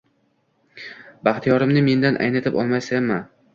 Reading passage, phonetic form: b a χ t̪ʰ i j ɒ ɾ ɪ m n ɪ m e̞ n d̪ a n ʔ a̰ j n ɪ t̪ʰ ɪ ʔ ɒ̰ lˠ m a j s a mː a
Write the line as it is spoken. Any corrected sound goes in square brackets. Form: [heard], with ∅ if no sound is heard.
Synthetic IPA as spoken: b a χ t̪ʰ i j ɒ ɾ ɪ m n ɪ m e̞ n d̪ a n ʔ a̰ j n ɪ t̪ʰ ɪ [p] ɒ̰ lˠ m a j s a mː a